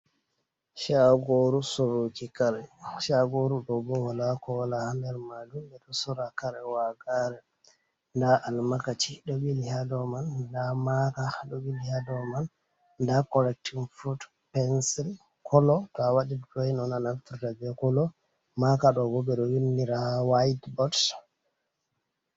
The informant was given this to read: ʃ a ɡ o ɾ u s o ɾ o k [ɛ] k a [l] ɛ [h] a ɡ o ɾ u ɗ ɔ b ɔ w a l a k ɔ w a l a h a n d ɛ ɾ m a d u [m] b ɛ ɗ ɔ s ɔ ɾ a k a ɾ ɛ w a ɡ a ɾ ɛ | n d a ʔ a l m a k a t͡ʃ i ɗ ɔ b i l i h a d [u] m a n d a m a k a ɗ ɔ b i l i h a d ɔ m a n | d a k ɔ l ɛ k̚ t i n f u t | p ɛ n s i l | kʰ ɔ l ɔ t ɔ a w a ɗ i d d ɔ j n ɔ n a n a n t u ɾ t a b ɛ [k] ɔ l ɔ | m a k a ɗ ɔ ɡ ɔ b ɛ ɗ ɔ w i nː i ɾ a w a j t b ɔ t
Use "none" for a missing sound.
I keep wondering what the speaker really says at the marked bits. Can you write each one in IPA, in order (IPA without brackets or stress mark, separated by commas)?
i, ɾ, ʃ, m, ɔ, k